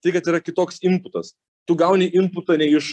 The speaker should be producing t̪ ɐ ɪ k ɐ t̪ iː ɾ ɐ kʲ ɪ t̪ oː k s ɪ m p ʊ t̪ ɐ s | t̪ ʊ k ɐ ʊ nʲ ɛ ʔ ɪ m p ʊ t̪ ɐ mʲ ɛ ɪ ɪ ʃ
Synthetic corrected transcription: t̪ ɐ ɪ k ɐ t̪ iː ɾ ɐ kʲ ɪ t̪ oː k s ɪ m p ʊ t̪ ɐ s | t̪ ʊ ɡ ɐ ʊ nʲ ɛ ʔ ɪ m p ʊ t̪ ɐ nʲ ɛ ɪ ɪ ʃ